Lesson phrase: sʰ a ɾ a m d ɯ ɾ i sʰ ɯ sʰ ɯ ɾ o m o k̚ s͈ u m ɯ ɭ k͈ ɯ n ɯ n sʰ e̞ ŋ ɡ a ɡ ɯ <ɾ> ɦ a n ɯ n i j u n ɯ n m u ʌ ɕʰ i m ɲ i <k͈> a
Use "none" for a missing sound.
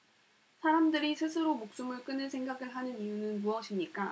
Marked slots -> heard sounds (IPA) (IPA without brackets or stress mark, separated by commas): ɭ, k͈